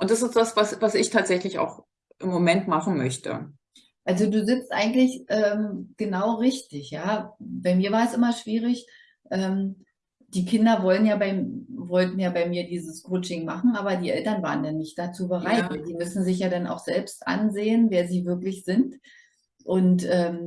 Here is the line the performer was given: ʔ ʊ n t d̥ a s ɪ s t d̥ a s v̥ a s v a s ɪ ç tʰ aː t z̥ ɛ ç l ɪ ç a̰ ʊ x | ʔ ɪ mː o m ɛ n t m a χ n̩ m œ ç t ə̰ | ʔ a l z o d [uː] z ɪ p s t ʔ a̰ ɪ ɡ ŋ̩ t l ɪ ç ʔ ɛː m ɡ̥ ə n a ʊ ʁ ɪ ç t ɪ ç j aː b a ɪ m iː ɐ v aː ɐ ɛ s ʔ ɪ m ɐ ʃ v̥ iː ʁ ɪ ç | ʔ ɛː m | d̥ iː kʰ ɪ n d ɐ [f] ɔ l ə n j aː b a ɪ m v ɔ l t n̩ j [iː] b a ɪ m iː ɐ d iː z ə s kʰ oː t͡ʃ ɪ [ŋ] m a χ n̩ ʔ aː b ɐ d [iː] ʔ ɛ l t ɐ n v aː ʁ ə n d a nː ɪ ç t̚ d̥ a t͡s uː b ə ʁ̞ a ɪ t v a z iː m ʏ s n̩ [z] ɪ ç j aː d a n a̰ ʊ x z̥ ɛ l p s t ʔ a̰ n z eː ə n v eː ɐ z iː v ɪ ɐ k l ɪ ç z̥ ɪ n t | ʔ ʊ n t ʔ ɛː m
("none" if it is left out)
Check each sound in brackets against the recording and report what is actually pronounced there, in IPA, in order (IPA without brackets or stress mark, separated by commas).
uː, v, aː, ŋ, iː, z